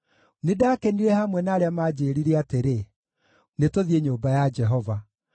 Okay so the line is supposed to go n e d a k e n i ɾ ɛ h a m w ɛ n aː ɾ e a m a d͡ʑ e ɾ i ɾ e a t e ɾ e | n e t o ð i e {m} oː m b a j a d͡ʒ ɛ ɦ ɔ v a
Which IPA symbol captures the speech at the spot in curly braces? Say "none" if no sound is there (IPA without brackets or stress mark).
ɲ